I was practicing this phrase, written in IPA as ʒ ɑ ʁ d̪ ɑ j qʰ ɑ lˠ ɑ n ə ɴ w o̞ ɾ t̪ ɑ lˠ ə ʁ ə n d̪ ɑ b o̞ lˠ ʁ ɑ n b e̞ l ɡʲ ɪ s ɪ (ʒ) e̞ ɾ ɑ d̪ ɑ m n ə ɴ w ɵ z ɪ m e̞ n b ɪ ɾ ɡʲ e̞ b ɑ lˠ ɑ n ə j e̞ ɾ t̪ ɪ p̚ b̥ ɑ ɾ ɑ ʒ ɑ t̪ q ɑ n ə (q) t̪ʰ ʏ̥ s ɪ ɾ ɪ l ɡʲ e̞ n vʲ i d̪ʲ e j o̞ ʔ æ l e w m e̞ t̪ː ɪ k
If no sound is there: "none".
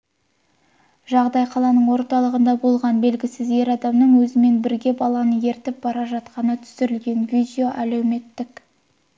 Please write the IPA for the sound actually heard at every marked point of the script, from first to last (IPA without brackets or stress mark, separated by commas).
z, none